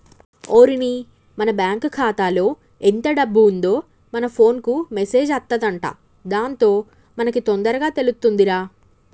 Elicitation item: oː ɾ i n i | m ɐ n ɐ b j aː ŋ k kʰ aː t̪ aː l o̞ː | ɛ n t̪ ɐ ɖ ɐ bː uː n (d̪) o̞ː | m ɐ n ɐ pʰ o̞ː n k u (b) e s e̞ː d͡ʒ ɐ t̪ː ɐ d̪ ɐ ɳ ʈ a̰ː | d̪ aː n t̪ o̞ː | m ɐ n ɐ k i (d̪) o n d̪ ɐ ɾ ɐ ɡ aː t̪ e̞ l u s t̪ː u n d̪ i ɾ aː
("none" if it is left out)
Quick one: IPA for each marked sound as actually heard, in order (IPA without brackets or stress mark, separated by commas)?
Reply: d̪, m, t̪